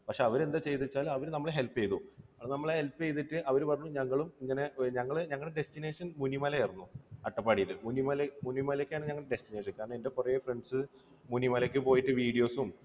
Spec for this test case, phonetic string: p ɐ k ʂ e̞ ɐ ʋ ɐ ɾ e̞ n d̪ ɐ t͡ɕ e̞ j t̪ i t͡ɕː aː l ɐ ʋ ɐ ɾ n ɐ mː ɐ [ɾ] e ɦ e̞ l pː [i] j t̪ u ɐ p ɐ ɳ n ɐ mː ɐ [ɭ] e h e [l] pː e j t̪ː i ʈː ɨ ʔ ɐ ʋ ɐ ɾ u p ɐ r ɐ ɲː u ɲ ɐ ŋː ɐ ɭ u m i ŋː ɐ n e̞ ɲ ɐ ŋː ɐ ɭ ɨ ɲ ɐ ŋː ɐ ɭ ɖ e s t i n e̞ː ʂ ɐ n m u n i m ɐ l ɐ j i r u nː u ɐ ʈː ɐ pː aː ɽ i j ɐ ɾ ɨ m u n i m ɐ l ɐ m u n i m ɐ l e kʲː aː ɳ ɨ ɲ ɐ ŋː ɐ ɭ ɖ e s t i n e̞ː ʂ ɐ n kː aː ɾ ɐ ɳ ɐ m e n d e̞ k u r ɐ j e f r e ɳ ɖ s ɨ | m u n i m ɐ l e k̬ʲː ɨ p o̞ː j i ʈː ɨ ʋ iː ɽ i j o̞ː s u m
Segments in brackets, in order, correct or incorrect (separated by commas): incorrect, incorrect, correct, correct